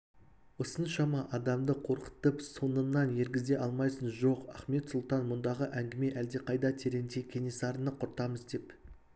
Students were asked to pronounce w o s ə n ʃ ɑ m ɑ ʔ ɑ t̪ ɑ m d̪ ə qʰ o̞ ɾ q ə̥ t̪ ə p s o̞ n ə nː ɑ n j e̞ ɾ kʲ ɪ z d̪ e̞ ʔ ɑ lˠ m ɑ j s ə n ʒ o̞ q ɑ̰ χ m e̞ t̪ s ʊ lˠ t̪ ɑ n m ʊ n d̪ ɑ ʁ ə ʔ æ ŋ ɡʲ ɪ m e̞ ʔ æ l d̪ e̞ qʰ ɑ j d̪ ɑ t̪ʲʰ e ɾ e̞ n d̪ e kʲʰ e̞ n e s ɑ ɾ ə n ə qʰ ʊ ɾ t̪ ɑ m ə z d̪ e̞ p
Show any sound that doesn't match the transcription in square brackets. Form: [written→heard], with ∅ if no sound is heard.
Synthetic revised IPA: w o s ə n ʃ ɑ m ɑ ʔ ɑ [t̪→d̪] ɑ m d̪ ə qʰ o̞ ɾ q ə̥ t̪ ə p s o̞ n ə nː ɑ n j e̞ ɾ [kʲ→ɡʲ] ɪ z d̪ e̞ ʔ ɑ lˠ m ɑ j s ə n ʒ o̞ q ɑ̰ χ m e̞ t̪ s ʊ lˠ t̪ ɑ n m ʊ n d̪ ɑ ʁ ə ʔ æ ŋ ɡʲ ɪ m e̞ ʔ æ l d̪ e̞ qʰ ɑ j d̪ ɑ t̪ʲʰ e ɾ e̞ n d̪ e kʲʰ e̞ n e s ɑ ɾ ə n ə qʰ ʊ ɾ t̪ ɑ m ə z d̪ e̞ p